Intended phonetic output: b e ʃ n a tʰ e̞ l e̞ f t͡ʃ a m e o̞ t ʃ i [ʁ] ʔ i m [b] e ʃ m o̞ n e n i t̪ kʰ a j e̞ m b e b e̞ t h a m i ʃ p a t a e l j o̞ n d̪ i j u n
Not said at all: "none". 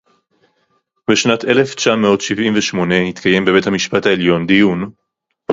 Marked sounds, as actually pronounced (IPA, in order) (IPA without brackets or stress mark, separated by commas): v, v